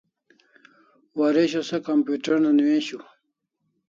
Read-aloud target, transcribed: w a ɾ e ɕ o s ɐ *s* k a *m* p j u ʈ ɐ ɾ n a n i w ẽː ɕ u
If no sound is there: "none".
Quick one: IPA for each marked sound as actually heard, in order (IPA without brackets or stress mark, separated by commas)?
none, m